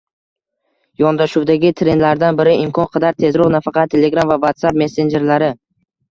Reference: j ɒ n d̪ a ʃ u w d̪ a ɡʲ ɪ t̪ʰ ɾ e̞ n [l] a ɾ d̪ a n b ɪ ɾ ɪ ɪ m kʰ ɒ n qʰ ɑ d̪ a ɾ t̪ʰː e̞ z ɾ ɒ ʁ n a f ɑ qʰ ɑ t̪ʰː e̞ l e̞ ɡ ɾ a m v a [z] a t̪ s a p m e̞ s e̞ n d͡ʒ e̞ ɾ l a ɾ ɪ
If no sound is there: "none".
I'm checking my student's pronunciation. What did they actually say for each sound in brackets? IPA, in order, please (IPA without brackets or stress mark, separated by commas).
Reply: l, v